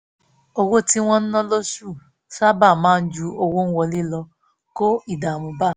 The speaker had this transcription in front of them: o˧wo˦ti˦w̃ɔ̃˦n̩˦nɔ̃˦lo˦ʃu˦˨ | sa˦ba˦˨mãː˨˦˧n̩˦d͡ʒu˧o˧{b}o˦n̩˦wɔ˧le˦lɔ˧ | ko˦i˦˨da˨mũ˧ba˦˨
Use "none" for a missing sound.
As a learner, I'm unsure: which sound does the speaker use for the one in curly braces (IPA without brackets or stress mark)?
w